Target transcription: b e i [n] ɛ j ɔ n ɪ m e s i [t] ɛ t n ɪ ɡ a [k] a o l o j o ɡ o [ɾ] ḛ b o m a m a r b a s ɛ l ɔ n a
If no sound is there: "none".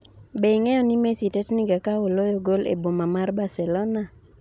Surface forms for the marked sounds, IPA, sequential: ŋ, t, k, l

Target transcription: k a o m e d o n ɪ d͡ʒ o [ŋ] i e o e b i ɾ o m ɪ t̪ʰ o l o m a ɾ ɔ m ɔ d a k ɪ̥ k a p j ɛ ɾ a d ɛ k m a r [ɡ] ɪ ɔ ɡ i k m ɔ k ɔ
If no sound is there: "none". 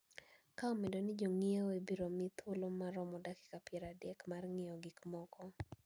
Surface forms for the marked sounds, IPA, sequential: ŋ, ŋ

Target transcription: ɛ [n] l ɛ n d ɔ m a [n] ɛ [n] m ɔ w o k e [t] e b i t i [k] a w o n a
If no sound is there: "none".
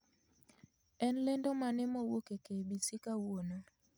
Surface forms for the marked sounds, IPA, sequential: n, n, none, k, k

